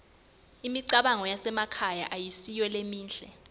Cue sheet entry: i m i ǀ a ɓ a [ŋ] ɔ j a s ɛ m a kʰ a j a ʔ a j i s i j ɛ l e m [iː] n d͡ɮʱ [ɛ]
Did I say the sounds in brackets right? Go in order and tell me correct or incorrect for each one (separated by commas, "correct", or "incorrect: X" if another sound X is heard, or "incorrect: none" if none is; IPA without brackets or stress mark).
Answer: correct, correct, correct